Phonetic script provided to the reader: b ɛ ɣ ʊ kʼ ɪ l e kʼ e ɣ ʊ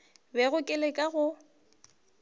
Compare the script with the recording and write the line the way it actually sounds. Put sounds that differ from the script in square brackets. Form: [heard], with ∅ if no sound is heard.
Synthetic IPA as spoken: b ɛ ɣ ʊ kʼ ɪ l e kʼ [a] ɣ ʊ